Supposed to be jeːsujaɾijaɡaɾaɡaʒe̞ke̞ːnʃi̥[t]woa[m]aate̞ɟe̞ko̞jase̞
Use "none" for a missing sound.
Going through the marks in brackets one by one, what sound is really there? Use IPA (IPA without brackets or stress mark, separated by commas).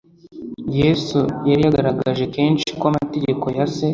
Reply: k, m